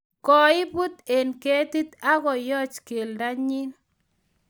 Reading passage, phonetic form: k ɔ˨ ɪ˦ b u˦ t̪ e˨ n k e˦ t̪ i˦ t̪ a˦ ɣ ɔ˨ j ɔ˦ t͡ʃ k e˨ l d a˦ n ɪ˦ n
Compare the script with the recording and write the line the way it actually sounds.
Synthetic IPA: k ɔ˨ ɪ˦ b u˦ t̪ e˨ n k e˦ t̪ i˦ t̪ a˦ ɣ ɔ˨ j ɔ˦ t͡ʃ k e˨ l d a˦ ɲ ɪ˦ n